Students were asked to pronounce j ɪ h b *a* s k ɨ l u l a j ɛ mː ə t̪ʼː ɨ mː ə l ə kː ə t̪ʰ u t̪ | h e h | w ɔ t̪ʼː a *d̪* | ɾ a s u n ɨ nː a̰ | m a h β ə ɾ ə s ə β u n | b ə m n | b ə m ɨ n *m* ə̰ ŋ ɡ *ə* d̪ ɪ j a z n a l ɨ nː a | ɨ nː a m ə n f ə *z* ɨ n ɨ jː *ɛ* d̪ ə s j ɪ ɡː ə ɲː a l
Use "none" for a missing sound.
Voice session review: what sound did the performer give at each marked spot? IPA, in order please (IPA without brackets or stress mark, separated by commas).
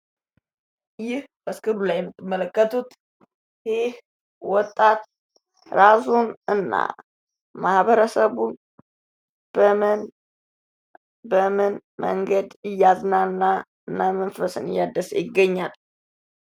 ə, t̪, m, ə, s, a